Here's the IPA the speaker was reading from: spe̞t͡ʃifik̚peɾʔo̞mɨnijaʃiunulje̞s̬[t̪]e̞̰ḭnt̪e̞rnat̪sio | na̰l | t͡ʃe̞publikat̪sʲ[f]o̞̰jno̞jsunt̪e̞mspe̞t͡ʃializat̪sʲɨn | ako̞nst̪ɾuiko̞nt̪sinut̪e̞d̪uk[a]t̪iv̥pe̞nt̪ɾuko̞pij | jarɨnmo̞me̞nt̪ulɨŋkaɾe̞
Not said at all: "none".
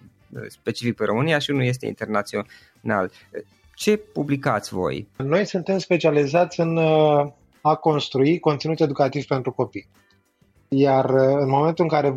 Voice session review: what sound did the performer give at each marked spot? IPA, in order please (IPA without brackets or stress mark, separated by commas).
t̪, v, a